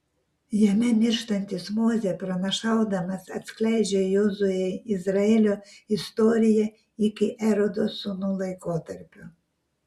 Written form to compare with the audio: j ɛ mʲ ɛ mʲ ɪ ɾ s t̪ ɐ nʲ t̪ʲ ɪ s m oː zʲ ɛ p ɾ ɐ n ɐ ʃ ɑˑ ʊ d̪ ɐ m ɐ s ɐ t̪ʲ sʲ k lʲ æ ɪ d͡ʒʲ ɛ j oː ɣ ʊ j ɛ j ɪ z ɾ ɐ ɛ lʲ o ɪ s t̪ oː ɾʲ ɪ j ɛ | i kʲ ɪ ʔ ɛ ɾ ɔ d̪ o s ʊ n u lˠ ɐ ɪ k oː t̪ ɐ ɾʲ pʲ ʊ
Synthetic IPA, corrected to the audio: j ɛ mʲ ɛ mʲ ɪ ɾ ʃ t̪ ɐ nʲ t̪ʲ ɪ s m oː zʲ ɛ p ɾ ɐ n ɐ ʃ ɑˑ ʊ d̪ ɐ m ɐ s ɐ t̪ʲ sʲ k lʲ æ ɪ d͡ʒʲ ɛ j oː z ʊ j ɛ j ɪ z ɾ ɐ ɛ lʲ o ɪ s t̪ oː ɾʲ ɪ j ɛ | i kʲ ɪ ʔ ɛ ɾ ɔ d̪ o s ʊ n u lˠ ɐ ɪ k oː t̪ ɐ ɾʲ pʲ ʊ